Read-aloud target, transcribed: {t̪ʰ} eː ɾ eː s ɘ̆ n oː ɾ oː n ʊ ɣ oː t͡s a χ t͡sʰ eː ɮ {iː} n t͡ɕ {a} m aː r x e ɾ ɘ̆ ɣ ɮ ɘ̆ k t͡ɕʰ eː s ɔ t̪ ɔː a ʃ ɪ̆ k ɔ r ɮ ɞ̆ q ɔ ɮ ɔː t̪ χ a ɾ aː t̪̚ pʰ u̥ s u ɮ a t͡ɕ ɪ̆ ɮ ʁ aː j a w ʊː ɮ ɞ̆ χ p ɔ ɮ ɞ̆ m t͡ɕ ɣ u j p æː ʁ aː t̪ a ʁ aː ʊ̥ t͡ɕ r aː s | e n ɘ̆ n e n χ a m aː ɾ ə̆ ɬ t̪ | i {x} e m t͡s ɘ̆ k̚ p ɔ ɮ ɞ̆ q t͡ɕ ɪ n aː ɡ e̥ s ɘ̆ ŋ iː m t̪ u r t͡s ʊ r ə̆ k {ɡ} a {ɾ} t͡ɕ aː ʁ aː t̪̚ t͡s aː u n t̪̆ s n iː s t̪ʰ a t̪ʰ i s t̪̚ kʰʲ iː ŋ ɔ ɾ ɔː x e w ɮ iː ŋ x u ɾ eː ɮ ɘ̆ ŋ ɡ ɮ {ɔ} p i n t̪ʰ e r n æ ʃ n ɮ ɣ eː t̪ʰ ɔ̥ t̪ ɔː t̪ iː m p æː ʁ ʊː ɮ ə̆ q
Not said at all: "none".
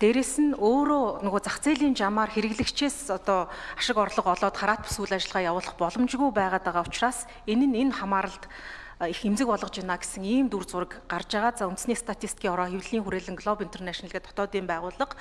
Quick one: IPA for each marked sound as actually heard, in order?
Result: t̪, iː, a, x, ɢ, r, ɔ

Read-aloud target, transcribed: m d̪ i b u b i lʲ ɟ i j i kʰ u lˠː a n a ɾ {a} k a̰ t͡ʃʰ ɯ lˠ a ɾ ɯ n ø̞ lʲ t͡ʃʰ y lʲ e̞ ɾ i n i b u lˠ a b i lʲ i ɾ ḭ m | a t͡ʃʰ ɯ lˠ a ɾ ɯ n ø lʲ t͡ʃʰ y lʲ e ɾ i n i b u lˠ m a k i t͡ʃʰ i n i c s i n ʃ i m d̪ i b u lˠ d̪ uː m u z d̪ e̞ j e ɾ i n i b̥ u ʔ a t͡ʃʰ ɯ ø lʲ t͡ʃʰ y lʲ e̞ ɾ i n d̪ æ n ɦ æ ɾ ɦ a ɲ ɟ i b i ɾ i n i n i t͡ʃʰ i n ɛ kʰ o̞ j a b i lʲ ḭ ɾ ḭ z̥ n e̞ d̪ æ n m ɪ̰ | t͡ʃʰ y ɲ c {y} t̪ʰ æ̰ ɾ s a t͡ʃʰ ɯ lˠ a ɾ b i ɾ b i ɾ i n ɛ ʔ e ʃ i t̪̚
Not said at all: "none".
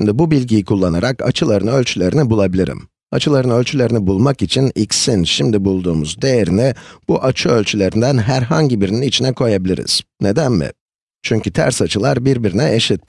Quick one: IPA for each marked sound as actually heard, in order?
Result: a, y

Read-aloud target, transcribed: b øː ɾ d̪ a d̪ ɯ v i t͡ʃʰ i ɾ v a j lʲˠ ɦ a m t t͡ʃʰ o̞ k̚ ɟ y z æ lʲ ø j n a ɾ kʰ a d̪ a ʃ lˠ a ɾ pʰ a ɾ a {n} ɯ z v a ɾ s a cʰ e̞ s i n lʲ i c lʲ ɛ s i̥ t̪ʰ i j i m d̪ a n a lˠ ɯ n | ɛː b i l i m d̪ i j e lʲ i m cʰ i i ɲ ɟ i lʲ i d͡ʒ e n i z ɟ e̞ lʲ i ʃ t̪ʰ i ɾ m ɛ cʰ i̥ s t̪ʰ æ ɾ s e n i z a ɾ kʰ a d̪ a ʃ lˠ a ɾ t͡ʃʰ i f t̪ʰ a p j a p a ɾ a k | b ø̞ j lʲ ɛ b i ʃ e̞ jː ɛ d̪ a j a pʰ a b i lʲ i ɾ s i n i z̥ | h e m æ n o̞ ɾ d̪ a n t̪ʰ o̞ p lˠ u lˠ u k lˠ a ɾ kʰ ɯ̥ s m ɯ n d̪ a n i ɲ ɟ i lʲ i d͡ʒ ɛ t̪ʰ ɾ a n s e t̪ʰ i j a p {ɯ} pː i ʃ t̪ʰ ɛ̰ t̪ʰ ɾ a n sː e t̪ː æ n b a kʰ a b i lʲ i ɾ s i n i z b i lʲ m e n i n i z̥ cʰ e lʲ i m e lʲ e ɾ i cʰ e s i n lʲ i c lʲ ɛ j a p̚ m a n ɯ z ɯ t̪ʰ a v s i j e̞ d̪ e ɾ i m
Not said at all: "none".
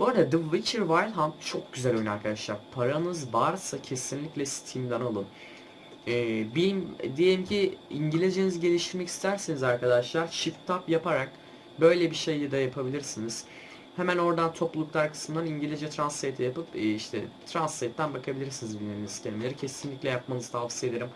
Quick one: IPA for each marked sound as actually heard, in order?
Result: n, ɯ

